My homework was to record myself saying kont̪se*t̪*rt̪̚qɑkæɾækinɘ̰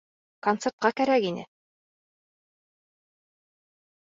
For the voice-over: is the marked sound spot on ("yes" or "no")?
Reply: no